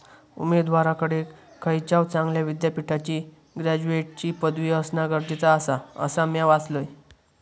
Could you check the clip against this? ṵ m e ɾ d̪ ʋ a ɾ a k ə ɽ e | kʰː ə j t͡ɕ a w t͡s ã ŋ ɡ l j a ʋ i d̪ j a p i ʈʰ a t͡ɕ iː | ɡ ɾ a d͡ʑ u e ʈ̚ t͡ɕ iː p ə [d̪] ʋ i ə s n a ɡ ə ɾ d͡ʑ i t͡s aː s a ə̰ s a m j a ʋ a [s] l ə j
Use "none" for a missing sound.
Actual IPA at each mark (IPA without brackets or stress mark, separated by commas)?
d̪, t͡s